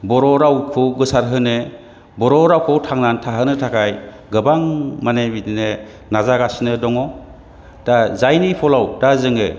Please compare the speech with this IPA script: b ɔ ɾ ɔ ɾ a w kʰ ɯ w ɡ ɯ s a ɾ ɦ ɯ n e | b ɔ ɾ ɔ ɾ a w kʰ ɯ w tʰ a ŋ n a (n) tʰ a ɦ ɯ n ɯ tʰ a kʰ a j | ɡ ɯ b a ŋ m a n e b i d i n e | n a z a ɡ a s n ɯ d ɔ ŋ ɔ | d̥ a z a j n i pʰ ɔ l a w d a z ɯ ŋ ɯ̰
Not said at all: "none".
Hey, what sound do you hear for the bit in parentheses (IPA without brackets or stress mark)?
n